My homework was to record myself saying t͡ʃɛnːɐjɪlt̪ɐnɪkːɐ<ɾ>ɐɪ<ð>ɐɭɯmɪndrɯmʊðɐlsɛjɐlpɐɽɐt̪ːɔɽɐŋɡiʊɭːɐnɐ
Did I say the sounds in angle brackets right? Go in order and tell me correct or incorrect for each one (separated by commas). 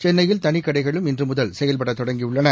incorrect, incorrect